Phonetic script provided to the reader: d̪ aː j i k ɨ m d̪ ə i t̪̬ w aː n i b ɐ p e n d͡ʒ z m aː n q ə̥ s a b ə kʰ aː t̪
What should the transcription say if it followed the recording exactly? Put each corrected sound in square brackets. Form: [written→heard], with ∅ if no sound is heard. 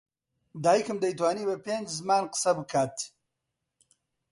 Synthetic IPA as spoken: d̪ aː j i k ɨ m d̪ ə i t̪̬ w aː n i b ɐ p e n d͡ʒ z m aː n q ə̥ s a b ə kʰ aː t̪

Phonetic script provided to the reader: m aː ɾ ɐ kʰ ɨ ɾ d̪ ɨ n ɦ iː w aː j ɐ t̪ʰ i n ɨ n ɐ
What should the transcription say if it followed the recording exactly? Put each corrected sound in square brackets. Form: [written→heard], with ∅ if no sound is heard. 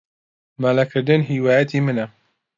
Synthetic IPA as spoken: m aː [ɾ→l] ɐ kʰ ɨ ɾ d̪ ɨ n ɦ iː w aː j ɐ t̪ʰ i [n→m] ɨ n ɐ

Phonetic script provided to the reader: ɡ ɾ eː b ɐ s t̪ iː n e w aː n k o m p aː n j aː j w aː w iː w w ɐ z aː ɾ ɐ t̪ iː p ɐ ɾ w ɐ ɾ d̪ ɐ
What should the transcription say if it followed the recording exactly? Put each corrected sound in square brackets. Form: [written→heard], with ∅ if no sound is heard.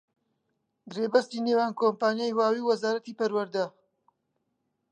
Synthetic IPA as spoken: ɡ ɾ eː b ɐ s t̪ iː n e w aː n k o m p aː n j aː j w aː w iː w w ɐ z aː ɾ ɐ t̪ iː p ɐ ɾ w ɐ ɾ d̪ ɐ

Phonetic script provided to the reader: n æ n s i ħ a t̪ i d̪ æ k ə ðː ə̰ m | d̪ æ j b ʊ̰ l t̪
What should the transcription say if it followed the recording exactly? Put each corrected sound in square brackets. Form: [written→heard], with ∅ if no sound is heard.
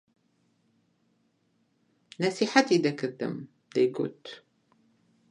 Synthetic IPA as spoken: n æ [n→∅] s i ħ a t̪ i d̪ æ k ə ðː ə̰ m | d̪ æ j [b→ɡ] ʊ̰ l t̪

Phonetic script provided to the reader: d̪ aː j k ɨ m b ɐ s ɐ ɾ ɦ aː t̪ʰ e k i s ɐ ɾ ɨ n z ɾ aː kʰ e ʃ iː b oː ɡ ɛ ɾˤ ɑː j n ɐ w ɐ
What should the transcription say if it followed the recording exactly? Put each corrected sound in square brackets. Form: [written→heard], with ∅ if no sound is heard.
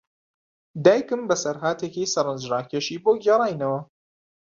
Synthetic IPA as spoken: d̪ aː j k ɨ m b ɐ s ɐ ɾ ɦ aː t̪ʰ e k i s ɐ ɾ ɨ n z ɾ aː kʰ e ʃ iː b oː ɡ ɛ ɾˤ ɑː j n ɐ w ɐ

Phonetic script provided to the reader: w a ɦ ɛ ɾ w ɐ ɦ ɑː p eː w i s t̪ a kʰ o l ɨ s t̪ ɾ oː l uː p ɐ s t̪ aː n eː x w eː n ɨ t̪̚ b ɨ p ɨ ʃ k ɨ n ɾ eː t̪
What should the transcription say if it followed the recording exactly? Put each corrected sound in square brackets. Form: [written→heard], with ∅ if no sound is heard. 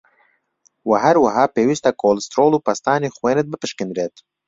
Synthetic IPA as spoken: w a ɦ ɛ ɾ w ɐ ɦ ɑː p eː w i s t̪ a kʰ o l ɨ s t̪ ɾ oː l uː p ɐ s t̪ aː n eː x w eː n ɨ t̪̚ b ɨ p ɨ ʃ k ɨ n ɾ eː t̪

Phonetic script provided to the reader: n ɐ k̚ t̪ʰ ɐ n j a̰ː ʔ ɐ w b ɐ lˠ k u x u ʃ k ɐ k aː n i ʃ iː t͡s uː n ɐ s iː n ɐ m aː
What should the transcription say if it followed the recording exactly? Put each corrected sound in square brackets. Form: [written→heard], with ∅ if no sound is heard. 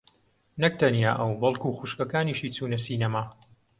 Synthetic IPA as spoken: n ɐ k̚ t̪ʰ ɐ n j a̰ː ʔ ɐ w b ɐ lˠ k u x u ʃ k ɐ k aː n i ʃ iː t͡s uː n ɐ s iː n ɐ m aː

